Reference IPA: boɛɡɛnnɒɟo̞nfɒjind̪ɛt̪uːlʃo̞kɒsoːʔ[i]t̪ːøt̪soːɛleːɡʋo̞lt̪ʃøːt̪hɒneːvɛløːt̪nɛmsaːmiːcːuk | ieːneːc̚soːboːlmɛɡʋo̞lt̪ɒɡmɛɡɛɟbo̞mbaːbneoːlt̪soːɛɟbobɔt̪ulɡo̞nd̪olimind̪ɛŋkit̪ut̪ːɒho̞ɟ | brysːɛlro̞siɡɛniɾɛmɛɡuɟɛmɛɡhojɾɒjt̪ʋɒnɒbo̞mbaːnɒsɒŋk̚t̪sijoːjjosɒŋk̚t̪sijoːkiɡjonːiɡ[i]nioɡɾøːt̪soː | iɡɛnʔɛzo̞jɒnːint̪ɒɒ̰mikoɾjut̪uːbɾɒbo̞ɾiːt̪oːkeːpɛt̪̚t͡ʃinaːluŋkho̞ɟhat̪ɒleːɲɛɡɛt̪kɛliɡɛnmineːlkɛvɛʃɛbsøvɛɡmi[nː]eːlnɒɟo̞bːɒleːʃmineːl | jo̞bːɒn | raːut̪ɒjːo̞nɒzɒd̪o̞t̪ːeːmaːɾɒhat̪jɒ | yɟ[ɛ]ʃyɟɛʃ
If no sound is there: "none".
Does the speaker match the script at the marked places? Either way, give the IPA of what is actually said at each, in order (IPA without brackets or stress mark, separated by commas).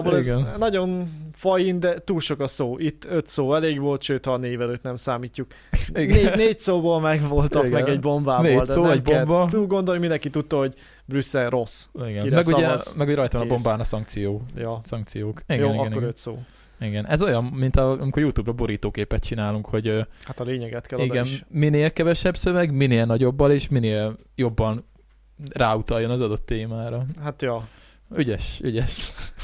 i, ɛ, n, ɛ